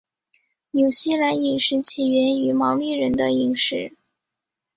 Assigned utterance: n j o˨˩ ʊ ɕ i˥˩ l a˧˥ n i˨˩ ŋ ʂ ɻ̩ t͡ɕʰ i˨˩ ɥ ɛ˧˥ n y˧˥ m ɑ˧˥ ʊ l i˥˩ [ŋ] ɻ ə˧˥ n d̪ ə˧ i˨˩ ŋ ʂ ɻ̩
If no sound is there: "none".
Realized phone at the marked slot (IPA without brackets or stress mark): none